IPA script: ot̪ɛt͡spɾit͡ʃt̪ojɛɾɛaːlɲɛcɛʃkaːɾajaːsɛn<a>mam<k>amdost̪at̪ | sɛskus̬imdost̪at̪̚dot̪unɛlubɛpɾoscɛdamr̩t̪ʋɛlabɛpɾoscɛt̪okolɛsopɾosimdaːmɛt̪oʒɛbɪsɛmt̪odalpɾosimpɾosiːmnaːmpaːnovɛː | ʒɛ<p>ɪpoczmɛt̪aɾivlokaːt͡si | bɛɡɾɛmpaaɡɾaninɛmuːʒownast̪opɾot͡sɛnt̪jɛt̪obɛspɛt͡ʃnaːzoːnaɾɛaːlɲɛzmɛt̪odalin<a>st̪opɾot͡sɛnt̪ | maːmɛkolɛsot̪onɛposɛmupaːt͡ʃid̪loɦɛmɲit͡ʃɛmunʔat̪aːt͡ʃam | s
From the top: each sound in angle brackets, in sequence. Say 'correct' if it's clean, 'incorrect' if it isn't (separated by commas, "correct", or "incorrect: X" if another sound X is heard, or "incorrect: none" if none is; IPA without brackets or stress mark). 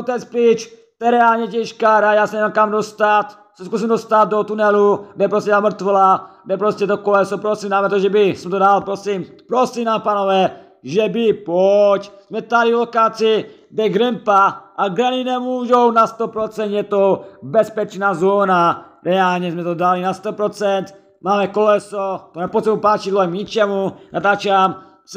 incorrect: ɛ, correct, incorrect: b, correct